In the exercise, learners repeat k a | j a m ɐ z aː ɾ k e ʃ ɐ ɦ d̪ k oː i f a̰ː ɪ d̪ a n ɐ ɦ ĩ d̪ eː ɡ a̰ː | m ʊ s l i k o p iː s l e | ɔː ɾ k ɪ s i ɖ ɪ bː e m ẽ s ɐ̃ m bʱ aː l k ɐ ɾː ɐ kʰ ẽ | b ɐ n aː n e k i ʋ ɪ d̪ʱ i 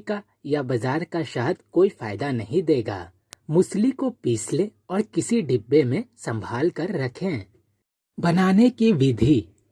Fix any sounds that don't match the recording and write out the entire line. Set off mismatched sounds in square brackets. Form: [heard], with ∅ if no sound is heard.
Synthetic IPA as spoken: k a | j a [b] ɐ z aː ɾ k [a] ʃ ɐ ɦ d̪ k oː i f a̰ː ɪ d̪ a n ɐ ɦ ĩ d̪ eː ɡ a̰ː | m ʊ s l i k o p iː s l e | ɔː ɾ k ɪ s i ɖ ɪ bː e m ẽ s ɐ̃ m bʱ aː l k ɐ ɾː ɐ kʰ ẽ | b ɐ n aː n e k i ʋ ɪ d̪ʱ i